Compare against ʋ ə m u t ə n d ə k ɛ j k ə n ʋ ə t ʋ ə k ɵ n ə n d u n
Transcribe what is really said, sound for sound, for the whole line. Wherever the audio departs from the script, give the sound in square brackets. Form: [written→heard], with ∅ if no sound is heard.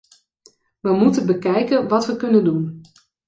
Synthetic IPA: ʋ ə m u t ə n [d→b] ə k ɛ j k ə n ʋ [ə→ɑ] t ʋ ə k ɵ n ə n d u n